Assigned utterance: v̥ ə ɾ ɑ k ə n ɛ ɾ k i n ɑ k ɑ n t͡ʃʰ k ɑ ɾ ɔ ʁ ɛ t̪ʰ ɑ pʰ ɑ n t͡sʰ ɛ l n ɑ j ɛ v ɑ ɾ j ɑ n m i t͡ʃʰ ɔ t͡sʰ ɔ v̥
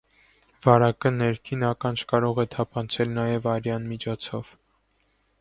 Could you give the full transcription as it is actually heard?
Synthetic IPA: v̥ ɑ ɾ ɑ k ə n ɛ ɾ kʰ i n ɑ k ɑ n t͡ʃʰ k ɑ ɾ ɔ ʁ ɛ t̪ʰ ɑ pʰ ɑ n t͡sʰ ɛ l n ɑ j ɛ v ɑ ɾ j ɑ n m i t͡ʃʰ ɔ t͡sʰ ɔ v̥